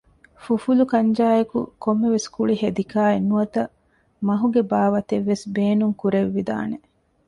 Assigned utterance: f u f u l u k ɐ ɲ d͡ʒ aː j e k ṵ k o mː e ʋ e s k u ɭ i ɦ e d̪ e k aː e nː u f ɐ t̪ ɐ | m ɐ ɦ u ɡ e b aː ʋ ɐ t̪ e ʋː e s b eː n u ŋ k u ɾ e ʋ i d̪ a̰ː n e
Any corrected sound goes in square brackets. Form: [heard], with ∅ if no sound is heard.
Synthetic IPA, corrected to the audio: f u f u l u k ɐ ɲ d͡ʒ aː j e k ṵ k o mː e ʋ e s k u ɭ i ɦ e d̪ [i] k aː e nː u [∅] ɐ t̪ ɐ | m ɐ ɦ u ɡ e b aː ʋ ɐ t̪ e ʋː e s b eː n u ŋ k u ɾ e [ʋː] i d̪ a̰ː n e